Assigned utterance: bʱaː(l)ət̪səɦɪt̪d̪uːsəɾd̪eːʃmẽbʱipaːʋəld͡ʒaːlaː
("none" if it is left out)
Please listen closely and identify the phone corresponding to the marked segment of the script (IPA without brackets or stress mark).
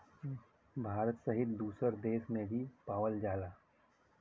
ɾ